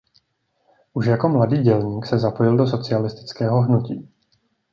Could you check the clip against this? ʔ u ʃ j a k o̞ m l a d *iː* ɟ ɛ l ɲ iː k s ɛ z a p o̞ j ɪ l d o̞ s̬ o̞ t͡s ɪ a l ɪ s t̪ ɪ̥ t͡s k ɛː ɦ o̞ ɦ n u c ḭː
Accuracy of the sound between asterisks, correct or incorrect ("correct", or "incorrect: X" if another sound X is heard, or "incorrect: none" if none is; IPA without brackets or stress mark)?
correct